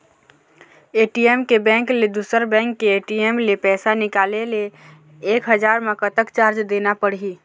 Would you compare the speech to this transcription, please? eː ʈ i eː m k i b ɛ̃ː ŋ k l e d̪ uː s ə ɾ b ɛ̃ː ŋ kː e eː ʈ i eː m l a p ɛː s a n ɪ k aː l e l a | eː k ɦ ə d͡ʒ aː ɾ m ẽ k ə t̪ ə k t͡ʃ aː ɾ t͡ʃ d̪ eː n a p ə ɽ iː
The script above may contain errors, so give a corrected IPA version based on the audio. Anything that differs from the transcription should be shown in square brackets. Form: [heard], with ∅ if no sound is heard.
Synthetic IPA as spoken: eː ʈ i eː m k [e] b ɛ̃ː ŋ k l e d̪ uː s ə ɾ b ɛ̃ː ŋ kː e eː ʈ i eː m l [e] p ɛː s a n ɪ k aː l e l [e] | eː k ɦ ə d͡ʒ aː ɾ m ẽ k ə t̪ ə k t͡ʃ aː ɾ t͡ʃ d̪ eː n a p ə ɽ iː